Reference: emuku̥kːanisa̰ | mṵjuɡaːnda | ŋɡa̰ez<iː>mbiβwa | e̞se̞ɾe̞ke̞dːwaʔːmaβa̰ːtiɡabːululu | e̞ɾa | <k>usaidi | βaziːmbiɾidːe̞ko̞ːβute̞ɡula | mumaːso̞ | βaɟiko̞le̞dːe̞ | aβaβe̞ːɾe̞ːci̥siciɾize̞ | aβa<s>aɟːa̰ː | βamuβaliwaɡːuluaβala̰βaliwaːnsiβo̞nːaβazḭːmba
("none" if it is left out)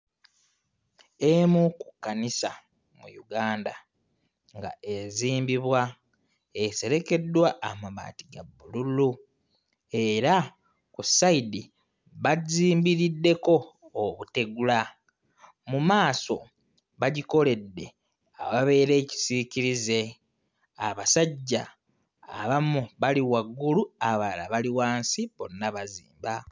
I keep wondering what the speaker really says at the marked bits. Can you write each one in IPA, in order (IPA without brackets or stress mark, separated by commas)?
iː, k, s